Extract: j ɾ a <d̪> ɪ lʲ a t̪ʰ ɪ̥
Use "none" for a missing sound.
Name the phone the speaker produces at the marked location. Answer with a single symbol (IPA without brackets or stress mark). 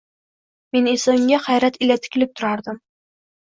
t̪